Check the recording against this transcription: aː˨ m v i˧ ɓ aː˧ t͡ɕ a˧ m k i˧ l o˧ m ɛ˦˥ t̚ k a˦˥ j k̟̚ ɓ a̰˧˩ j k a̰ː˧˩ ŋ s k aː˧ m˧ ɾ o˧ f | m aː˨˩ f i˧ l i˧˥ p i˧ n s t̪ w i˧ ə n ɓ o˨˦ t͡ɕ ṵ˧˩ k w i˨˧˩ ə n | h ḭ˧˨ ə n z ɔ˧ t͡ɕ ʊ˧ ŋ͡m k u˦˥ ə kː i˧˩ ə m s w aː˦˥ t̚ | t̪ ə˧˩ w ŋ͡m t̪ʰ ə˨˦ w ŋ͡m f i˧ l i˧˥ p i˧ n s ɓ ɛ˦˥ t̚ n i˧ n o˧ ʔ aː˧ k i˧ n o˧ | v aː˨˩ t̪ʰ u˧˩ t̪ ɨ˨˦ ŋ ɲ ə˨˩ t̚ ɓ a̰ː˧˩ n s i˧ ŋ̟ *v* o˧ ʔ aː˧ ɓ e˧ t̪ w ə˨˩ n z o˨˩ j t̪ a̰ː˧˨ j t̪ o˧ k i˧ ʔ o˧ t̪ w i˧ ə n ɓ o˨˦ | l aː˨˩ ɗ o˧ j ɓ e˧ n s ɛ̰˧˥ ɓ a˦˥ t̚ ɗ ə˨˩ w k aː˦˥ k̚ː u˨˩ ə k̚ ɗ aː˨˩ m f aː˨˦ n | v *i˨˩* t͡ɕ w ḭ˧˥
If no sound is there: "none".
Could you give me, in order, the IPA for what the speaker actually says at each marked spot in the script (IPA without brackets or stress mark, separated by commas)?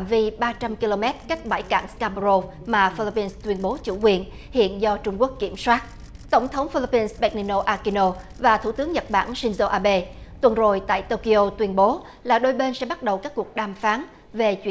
z, e˨˩